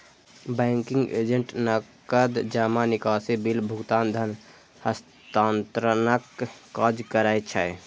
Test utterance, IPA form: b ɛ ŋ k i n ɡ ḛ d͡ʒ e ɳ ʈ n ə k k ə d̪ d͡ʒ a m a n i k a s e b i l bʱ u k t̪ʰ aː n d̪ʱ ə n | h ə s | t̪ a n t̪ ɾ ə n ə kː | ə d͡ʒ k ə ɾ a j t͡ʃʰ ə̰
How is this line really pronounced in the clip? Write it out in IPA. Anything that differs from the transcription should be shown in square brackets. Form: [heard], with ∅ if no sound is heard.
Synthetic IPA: b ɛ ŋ k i [ŋ] ɡ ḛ d͡ʒ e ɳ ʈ n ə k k ə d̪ d͡ʒ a m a n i k a s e b i l bʱ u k [t̪] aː n d̪ʱ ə n | h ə s | t̪ a n t̪ ɾ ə n ə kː | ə d͡ʒ k ə ɾ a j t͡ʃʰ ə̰